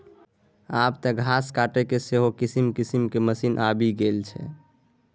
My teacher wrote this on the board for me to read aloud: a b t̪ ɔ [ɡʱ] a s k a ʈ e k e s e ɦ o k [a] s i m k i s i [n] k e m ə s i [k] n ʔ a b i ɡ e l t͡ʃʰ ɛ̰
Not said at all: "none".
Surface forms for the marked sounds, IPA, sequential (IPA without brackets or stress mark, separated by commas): ɡʱ, i, m, none